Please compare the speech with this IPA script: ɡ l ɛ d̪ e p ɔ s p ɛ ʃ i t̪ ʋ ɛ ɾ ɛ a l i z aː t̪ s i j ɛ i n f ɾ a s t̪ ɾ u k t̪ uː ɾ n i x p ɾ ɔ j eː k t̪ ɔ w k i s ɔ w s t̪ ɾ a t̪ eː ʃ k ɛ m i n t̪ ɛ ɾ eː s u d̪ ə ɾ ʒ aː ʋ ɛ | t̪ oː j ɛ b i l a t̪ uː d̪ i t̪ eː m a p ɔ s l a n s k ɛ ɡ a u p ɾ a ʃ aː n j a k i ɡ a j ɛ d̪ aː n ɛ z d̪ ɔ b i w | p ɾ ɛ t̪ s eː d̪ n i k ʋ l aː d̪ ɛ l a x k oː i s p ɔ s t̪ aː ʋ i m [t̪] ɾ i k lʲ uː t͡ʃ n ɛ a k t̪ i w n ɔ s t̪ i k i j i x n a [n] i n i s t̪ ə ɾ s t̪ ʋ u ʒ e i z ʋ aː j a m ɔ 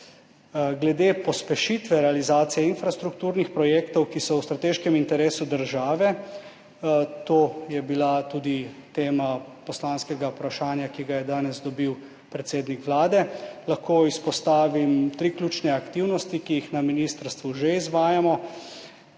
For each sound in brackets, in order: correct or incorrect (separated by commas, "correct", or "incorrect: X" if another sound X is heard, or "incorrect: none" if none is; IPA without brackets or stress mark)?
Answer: correct, incorrect: m